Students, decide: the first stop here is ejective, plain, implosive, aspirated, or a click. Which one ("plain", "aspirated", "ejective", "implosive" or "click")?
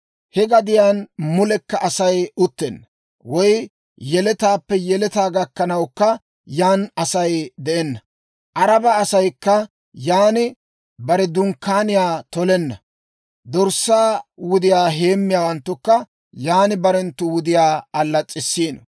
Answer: plain